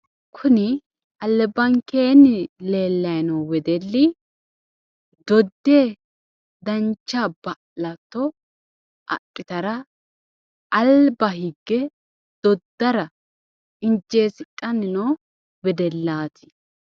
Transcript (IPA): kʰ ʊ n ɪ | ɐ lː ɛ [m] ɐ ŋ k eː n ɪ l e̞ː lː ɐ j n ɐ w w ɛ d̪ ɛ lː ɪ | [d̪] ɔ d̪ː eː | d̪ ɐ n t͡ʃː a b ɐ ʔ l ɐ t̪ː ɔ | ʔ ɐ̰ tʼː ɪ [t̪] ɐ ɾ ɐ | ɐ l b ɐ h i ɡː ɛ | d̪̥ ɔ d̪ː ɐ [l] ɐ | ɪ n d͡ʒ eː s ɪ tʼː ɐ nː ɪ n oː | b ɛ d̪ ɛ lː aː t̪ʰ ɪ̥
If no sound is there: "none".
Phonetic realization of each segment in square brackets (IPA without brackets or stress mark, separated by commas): b, d̪, t̪, ɾ